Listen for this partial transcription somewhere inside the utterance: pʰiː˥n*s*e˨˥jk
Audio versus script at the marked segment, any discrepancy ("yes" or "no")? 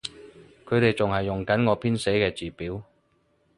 no